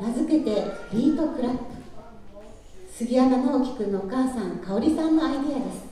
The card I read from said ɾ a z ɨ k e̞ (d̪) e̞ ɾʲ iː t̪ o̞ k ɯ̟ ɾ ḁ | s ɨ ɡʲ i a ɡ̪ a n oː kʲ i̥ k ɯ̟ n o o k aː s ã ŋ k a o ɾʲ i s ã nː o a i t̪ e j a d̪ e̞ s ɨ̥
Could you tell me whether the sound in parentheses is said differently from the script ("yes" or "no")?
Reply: yes